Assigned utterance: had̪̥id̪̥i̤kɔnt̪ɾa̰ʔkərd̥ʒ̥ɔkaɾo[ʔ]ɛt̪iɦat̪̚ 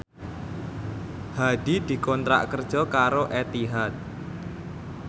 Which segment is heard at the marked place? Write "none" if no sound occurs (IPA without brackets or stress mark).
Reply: ʔ